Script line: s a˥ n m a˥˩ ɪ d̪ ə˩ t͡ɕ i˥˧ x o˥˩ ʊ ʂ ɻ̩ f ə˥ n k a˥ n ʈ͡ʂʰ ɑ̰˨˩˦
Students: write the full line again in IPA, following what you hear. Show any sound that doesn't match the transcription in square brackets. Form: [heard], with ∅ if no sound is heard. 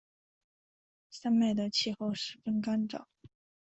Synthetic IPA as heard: s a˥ n m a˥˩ ɪ d̪ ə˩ [t͡ɕʰ] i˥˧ x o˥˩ ʊ ʂ ɻ̩ f ə˥ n k a˥ n [ʈ͡ʂ] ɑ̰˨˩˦